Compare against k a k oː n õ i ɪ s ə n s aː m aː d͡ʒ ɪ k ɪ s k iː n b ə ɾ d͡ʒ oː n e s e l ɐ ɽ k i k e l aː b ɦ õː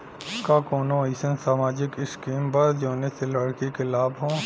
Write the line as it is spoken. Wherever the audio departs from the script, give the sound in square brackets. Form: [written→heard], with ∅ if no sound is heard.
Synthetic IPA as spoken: k a k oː n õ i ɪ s ə n s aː m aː d͡ʒ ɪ k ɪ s k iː [n→m] b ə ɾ d͡ʒ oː n e s e l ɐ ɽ k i k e l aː b ɦ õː